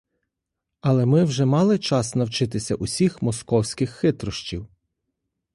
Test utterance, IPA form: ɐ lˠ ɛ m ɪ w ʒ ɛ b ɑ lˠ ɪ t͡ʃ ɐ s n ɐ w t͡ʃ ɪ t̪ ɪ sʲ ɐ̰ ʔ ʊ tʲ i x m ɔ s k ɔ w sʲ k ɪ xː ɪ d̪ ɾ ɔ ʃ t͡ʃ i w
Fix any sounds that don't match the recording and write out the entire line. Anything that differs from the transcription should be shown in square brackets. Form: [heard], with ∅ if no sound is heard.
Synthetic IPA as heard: ɐ lˠ ɛ m ɪ w ʒ ɛ [m] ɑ lˠ ɪ t͡ʃ [ɑ] s n ɐ w t͡ʃ ɪ t̪ ɪ sʲ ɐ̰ ʔ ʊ [sʲ] i x m ɔ s k ɔ w sʲ k ɪ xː ɪ [t̪] ɾ ɔ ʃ t͡ʃ i w